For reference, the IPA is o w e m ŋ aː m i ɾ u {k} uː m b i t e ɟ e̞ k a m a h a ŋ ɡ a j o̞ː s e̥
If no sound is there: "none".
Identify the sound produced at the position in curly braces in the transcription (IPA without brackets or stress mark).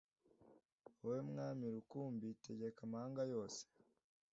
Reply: k